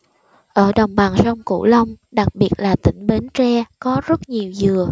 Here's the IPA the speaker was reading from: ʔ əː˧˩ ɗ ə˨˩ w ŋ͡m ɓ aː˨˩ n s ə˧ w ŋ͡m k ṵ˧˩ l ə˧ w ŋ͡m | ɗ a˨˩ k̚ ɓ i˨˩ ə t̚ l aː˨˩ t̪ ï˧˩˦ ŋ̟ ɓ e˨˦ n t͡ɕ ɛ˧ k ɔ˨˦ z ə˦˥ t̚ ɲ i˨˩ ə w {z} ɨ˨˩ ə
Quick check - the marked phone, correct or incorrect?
correct